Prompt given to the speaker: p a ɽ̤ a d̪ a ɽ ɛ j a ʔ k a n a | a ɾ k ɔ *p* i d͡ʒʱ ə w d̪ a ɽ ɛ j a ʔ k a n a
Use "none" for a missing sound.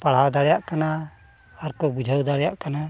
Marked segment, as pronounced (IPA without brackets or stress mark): b